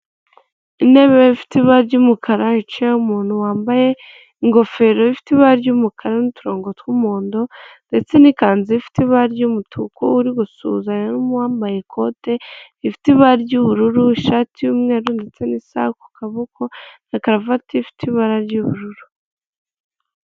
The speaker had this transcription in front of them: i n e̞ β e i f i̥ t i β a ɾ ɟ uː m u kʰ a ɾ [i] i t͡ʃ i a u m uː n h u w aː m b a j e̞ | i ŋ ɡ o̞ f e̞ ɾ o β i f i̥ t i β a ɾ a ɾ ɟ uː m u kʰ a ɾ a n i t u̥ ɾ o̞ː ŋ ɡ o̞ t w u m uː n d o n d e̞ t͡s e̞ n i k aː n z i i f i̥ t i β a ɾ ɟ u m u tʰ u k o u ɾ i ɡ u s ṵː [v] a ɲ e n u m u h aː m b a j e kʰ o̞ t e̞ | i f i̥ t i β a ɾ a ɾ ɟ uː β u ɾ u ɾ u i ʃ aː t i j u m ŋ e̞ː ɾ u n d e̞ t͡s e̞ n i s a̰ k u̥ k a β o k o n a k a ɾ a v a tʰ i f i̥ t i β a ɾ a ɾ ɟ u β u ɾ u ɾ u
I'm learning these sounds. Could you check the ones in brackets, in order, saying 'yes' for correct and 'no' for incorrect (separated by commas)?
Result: no, no